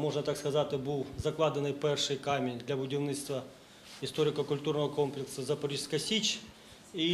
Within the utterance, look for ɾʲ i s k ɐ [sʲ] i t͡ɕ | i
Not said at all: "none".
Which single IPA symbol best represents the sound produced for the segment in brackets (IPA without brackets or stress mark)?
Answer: sʲ